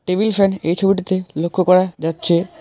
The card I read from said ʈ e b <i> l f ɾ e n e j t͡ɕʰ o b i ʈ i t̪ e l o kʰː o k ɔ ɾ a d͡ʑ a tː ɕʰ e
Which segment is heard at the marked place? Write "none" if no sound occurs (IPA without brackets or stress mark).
i